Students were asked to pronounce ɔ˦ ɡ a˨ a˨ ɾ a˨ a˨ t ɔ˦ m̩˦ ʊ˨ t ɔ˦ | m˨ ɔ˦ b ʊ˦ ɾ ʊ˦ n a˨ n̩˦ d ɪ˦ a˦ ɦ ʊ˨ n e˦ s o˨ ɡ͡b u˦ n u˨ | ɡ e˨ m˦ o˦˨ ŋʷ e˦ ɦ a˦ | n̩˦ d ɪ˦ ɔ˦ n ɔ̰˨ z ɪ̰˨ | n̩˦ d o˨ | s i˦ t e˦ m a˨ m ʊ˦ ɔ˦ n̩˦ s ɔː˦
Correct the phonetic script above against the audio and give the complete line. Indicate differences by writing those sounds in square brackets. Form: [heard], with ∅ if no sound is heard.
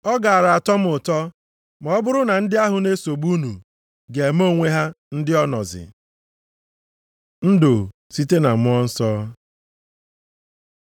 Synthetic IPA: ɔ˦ ɡ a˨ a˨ ɾ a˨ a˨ t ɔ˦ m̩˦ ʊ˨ t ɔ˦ | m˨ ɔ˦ b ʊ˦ ɾ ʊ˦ n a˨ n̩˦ d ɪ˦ a˦ ɦ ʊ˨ n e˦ s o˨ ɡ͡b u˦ n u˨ | ɡ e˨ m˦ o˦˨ ŋʷ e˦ ɦ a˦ | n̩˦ d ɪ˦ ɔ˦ n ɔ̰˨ z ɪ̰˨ | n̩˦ d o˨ | s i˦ t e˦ [n] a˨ m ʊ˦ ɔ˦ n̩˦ s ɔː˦